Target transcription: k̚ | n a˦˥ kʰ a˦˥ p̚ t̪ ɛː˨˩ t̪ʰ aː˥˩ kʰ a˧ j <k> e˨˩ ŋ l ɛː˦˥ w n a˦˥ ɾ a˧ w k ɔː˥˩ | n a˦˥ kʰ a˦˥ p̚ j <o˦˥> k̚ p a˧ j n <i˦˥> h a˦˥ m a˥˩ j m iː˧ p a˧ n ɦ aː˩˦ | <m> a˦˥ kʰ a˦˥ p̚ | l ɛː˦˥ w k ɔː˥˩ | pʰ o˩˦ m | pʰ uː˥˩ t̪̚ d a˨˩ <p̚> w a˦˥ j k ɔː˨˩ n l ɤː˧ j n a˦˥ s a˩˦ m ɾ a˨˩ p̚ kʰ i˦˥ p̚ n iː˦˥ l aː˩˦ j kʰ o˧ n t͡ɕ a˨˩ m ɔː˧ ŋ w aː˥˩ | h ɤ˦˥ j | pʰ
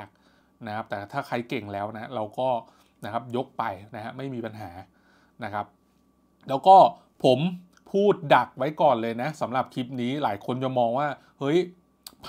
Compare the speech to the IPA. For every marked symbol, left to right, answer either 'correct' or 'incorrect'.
correct, correct, incorrect: a˦˥, incorrect: n, incorrect: k̚

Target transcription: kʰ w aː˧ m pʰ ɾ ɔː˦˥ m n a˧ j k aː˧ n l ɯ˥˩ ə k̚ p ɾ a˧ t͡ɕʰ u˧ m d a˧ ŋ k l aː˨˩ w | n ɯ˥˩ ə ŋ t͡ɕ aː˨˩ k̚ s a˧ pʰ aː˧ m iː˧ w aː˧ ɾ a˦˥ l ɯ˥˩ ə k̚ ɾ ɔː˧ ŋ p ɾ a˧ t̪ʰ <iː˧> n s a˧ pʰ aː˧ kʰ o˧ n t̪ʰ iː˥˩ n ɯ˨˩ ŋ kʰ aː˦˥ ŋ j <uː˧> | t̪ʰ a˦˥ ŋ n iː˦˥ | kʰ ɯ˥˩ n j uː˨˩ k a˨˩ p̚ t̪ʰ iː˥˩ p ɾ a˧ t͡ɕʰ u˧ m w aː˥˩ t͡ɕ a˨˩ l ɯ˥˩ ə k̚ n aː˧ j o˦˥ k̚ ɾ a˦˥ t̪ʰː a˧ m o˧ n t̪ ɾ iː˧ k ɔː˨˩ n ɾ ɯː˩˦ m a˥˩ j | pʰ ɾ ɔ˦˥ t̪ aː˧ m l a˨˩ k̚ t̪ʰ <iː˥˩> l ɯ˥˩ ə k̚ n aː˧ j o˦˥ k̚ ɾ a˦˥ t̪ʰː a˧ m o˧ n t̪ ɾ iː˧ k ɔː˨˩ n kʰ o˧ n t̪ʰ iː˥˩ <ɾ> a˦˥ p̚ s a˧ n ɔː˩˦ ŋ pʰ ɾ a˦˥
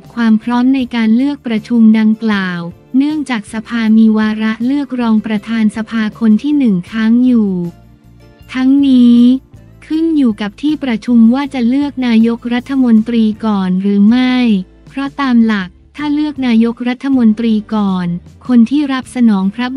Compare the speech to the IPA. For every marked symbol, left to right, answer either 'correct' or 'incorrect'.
incorrect: aː˧, incorrect: uː˨˩, incorrect: aː˥˩, correct

